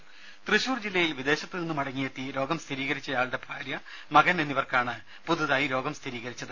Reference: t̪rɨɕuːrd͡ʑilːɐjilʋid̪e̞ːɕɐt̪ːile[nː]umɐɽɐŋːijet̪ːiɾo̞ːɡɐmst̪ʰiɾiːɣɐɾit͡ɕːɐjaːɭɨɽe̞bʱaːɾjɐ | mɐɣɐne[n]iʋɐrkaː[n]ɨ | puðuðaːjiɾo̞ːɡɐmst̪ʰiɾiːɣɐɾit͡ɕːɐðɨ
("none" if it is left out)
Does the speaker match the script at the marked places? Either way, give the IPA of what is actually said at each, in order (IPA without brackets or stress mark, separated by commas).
nː, nː, ɳ